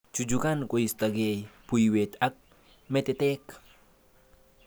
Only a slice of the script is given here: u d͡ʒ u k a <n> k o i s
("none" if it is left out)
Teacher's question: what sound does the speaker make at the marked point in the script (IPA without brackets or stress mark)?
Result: n